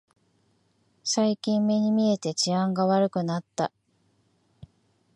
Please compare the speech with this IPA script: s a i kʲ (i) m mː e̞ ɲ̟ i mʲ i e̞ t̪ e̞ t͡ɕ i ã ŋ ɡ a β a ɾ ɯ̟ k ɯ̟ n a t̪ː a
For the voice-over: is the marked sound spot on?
no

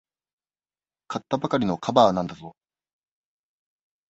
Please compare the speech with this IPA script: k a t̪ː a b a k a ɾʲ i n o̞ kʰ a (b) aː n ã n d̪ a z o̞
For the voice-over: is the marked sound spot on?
yes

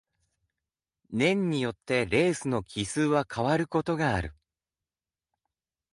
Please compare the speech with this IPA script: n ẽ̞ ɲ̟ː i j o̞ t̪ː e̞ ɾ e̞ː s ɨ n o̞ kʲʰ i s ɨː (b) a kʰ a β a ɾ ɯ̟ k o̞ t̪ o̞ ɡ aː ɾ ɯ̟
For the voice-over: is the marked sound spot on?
no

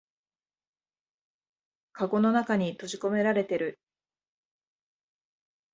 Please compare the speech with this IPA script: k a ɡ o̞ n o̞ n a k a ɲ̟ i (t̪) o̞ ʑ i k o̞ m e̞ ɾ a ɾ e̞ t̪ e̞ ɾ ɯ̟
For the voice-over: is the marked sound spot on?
yes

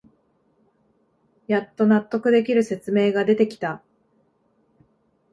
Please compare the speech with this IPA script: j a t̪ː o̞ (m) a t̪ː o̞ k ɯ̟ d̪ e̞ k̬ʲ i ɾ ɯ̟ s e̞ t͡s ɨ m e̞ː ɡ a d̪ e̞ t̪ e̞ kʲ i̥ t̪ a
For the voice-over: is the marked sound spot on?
no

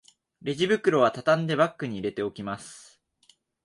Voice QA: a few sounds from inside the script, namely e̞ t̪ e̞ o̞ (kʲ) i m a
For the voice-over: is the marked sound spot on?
yes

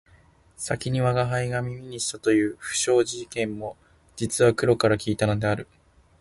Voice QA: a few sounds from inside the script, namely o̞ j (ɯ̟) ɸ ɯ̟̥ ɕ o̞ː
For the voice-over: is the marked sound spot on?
no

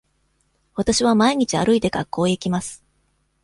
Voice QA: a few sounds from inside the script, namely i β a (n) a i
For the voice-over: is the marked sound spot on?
no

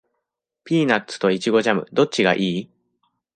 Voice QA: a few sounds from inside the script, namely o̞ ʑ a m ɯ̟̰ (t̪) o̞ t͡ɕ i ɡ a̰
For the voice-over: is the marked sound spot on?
no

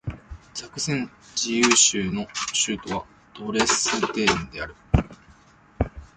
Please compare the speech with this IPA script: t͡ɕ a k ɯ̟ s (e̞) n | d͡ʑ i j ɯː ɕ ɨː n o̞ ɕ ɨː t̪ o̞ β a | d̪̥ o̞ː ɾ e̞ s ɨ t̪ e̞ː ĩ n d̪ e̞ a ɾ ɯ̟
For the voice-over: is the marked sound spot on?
no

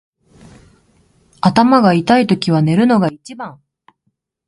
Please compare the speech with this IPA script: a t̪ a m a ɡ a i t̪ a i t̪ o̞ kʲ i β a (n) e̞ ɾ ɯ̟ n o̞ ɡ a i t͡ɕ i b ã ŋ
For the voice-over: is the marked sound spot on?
yes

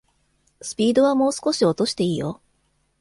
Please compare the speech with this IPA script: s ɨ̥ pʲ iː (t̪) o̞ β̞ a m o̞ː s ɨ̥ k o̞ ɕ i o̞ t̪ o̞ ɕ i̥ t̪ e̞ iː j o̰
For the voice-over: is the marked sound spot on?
no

